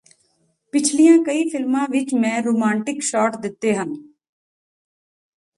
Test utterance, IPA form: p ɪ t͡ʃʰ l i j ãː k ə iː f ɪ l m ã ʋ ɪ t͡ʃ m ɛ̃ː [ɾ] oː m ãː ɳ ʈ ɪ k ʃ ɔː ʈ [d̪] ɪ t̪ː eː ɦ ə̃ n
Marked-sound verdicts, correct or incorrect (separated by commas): correct, correct